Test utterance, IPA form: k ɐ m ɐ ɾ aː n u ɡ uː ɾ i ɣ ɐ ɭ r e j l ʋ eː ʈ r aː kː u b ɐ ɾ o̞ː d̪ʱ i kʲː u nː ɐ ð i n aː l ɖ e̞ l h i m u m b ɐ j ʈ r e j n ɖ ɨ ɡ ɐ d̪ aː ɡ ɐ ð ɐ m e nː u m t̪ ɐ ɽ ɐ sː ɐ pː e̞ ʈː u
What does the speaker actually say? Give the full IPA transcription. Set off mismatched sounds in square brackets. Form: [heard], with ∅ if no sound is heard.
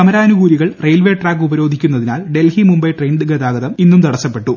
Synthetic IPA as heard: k ɐ m ɐ ɾ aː n u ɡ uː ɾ i ɣ ɐ ɭ r e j l ʋ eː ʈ r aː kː u b ɐ ɾ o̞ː d̪ʱ i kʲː u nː ɐ ð i n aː l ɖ e̞ l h i m u m b ɐ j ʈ r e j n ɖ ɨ ɡ ɐ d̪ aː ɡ ɐ ð ɐ m [i] nː u m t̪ ɐ ɽ ɐ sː ɐ pː e̞ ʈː u